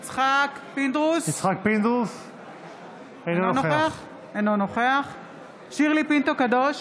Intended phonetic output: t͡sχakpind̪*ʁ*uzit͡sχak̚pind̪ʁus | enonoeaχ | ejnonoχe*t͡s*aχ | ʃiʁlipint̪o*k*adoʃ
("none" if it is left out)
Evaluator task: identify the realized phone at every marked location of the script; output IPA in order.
ʁ, none, k

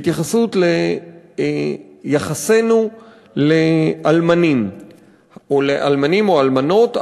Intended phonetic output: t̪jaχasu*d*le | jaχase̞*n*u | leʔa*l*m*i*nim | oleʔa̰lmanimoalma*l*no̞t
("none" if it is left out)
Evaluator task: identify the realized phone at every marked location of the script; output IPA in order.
t, n, l, a, none

